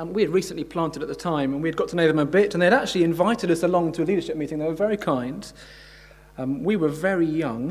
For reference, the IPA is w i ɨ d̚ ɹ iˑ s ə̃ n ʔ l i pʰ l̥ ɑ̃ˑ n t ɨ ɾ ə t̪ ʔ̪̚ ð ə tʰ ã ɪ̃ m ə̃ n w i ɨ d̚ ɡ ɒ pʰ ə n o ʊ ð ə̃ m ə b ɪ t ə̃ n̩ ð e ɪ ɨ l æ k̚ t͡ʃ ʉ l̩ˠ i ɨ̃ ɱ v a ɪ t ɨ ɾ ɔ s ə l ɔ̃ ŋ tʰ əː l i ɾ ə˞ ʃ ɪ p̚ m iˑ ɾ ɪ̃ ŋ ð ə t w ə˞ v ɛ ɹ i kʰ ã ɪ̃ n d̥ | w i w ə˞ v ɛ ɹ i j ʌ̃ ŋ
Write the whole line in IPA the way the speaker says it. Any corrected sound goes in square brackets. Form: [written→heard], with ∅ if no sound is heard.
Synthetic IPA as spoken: w i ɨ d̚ ɹ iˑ s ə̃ n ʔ l i pʰ l̥ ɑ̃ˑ n t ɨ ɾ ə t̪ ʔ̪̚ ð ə tʰ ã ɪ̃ m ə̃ n w i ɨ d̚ ɡ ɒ [pʰ→tʰ] ə n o ʊ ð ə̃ m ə b ɪ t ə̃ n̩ ð e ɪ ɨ [l→ɾ] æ k̚ t͡ʃ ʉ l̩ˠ i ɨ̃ ɱ v a ɪ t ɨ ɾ [ɔ→ʌ] s ə l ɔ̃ ŋ tʰ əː l i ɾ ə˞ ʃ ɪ p̚ m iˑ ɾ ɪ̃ ŋ ð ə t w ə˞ v ɛ ɹ i kʰ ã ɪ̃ n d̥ | w i w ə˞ v ɛ ɹ i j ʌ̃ ŋ